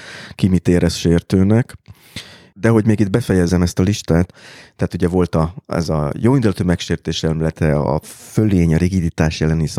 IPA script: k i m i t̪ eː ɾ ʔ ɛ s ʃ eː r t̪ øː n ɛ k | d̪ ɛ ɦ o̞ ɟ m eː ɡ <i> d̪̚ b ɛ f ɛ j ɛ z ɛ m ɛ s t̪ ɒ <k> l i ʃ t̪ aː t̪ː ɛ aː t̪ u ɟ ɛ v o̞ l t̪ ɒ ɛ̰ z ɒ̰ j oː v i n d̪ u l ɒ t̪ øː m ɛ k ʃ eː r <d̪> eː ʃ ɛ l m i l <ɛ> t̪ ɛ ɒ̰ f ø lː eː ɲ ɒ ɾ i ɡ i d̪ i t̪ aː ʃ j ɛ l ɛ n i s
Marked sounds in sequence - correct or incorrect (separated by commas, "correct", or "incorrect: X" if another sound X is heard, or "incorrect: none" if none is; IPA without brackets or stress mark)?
correct, incorrect: none, incorrect: t̪, correct